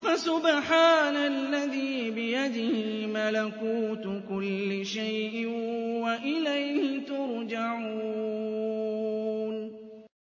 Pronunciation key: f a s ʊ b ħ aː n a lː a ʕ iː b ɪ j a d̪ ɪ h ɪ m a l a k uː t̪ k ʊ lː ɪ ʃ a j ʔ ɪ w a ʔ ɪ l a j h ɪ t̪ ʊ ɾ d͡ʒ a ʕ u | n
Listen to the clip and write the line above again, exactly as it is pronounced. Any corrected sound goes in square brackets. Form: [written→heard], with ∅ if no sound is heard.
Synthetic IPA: f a s ʊ b ħ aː n a lː a [ʕ→ð] iː b ɪ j a d̪ ɪ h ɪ m a l a k uː t̪ k ʊ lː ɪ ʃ a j ʔ ɪ w a ʔ ɪ l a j h ɪ t̪ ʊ ɾ d͡ʒ a ʕ u | n